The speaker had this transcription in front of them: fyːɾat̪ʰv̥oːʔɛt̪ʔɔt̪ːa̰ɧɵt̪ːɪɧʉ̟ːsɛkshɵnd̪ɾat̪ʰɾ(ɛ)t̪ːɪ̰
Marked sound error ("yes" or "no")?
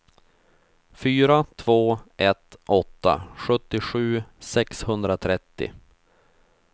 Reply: no